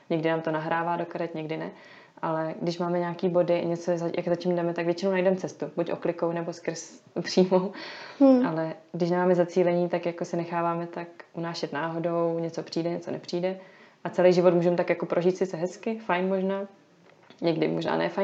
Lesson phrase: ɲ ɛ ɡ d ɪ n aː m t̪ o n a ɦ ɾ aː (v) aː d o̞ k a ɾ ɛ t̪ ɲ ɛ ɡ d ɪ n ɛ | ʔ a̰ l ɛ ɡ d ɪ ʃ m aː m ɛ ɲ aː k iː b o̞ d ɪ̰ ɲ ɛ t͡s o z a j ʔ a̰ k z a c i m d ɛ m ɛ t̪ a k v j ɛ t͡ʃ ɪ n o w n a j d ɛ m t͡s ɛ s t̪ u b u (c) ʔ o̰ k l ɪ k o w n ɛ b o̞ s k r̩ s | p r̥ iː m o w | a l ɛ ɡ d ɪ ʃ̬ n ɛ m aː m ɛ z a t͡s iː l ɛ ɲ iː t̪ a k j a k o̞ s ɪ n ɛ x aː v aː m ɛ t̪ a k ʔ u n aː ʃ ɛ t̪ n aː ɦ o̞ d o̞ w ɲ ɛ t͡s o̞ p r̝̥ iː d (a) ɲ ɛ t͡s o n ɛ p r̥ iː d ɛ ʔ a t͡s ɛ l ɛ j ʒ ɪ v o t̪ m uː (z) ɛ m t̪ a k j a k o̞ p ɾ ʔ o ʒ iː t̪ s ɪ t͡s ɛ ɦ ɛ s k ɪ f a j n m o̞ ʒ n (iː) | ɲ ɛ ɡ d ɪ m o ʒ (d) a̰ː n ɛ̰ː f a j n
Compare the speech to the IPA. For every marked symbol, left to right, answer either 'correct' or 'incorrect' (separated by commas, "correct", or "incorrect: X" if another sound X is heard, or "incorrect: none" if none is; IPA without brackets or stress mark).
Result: correct, correct, incorrect: ɛ, incorrect: ʒ, incorrect: aː, incorrect: n